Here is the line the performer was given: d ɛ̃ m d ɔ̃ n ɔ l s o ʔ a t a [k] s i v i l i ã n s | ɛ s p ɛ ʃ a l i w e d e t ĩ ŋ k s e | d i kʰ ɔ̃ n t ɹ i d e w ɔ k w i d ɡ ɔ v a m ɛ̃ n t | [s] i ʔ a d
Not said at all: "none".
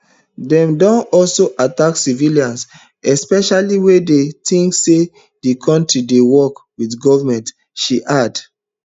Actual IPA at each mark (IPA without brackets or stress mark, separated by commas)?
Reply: k, ʃ